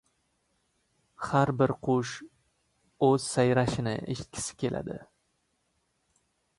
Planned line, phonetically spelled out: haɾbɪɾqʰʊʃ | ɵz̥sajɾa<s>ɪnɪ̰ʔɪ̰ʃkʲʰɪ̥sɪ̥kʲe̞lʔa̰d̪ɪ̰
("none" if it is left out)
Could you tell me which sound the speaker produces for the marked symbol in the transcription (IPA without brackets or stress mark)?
ʃ